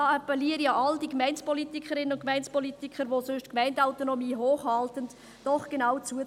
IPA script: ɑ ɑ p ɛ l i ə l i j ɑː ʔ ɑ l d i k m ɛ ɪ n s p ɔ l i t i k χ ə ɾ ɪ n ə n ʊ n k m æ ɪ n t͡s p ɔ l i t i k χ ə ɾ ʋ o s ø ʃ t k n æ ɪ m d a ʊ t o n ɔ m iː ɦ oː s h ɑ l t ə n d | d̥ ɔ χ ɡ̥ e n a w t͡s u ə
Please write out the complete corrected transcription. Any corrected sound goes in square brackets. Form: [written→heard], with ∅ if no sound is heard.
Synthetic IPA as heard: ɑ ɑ p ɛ l i ə [l→ɾ] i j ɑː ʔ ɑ l d i k m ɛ ɪ n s p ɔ l i t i k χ ə ɾ ɪ n ə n ʊ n k m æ ɪ n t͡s p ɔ l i t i k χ ə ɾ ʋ o s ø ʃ t k [n→m] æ ɪ [m→n] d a ʊ t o n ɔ m iː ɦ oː [s→χ] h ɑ l t ə n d | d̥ ɔ χ ɡ̥ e n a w t͡s u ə

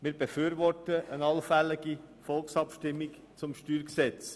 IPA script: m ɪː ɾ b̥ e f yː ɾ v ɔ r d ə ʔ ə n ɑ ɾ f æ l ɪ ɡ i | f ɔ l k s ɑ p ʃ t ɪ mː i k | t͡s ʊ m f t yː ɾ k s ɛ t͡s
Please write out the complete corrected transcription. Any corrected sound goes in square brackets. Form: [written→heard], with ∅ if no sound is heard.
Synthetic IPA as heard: m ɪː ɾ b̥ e f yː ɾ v ɔ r [d→t] ə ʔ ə n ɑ [ɾ→l] f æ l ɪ ɡ i | f ɔ l k s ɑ p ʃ t ɪ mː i k | t͡s ʊ m [f→ʃ] t yː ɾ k s ɛ t͡s

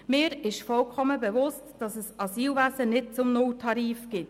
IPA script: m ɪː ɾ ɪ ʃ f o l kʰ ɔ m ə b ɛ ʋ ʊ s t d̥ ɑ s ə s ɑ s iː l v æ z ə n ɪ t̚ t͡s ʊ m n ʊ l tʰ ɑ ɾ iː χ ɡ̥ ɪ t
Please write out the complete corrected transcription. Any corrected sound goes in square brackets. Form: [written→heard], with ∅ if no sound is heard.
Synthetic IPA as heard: m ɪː ɾ ɪ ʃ f [o→ɔ] l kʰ ɔ m ə b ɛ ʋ ʊ s t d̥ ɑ s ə s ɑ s iː l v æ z ə n ɪ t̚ t͡s ʊ m n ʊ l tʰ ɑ ɾ iː [χ→f] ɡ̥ ɪ t

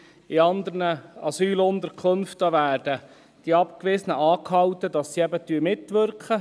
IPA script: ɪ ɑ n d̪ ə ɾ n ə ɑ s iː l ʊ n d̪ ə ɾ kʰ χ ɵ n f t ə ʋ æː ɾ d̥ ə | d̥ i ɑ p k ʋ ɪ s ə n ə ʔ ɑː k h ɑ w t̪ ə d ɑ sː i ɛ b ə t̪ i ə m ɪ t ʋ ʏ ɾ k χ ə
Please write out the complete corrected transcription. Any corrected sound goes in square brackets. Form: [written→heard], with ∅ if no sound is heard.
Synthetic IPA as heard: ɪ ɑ n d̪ ə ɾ n ə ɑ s [iː→yː] l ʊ n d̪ ə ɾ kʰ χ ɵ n f t ə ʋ æː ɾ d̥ ə | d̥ i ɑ p k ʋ ɪ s ə n ə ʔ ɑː k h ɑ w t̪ ə d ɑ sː i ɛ b ə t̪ [i→y] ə m ɪ t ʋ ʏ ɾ k χ ə

